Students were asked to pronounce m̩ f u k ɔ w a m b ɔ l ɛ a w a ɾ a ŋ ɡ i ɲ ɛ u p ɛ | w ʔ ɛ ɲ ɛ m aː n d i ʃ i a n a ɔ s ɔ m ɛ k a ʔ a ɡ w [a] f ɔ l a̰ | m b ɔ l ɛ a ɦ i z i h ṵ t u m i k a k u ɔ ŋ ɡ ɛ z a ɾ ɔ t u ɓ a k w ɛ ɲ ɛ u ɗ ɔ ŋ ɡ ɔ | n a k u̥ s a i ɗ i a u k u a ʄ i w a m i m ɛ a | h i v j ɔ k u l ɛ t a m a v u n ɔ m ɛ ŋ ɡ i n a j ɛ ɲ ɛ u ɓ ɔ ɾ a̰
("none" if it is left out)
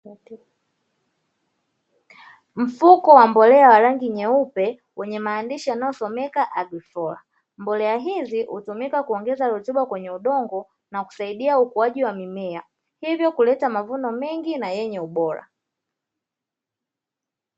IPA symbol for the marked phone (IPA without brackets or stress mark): i